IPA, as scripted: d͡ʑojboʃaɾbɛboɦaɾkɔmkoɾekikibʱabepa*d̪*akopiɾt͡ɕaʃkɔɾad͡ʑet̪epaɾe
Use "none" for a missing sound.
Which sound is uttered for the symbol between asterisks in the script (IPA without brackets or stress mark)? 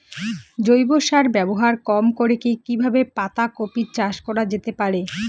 t̪